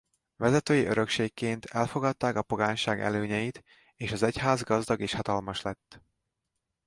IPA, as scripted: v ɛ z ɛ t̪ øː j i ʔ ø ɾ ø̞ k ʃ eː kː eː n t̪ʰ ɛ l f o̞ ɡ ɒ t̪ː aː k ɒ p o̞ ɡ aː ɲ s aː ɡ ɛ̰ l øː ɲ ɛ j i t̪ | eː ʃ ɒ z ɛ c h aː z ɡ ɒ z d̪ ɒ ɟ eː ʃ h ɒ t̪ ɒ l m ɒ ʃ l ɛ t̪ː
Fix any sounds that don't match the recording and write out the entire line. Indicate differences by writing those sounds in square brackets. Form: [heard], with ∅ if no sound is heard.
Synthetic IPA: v ɛ z ɛ t̪ øː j i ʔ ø ɾ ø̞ k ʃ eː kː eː n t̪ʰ ɛ l f o̞ ɡ ɒ t̪ː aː k ɒ p o̞ ɡ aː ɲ [ʃ] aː ɡ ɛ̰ l øː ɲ ɛ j i t̪ | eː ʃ ɒ z ɛ c h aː z ɡ ɒ z d̪ ɒ [ɡ] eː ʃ h ɒ t̪ ɒ l m ɒ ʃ l ɛ t̪ː